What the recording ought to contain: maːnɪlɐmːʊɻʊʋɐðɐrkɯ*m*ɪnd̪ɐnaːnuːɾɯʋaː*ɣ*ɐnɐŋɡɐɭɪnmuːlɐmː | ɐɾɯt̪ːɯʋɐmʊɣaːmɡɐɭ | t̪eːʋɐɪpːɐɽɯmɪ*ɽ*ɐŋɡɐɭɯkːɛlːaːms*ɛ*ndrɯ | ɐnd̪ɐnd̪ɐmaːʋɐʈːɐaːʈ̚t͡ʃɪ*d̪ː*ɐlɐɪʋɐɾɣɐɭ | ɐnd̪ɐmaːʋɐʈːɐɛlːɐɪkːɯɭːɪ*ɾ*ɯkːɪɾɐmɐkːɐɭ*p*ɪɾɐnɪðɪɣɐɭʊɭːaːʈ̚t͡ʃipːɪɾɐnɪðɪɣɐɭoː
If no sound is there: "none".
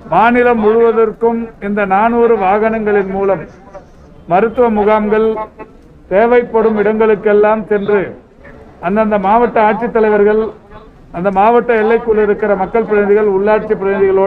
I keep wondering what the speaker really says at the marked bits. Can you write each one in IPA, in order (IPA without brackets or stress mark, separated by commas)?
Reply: m, ɣ, ɽ, ɛ, t̪ː, ɾ, p